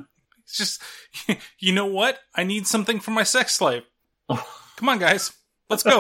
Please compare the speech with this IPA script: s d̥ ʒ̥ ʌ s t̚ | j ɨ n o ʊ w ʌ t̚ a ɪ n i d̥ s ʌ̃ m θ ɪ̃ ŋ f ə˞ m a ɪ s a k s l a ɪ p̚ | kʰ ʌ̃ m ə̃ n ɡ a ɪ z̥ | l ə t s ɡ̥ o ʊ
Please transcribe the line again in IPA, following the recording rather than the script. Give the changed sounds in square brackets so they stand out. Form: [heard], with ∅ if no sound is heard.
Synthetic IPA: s d̥ ʒ̥ ʌ s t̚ | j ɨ n o ʊ w ʌ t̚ a ɪ n i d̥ s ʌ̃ m θ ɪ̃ ŋ f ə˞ m a ɪ s [ɛ] k s l a ɪ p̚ | kʰ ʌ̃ m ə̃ n ɡ a ɪ z̥ | l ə t s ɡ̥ o ʊ